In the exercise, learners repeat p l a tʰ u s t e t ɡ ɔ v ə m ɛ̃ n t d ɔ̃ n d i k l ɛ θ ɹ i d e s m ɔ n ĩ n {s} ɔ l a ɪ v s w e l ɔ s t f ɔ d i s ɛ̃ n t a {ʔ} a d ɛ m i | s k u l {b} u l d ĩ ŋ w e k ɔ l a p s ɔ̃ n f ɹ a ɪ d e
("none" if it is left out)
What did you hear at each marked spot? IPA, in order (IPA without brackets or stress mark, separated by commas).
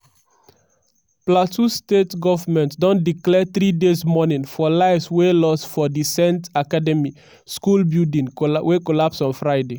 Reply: f, k, b